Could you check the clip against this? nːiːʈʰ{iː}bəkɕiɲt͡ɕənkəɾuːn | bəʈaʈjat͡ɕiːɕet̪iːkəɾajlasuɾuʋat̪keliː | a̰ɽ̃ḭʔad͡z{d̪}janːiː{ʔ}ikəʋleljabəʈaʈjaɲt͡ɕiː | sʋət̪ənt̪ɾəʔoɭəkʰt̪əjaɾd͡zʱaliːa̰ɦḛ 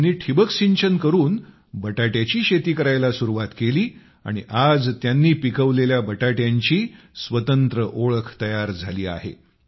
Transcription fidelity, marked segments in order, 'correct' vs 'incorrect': incorrect: i, incorrect: t̪, incorrect: p

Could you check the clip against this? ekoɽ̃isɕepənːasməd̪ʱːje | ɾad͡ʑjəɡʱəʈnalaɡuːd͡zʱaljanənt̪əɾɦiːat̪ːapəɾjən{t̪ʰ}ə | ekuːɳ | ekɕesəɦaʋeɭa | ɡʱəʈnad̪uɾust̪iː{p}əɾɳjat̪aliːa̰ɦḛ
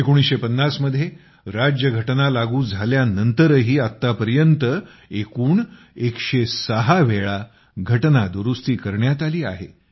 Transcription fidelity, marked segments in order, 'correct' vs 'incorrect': incorrect: t̪, incorrect: k

